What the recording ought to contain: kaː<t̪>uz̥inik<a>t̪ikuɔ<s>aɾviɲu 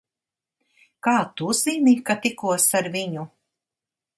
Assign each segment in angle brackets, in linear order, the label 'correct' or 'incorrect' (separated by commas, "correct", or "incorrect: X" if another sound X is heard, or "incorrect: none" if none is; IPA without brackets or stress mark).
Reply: correct, correct, correct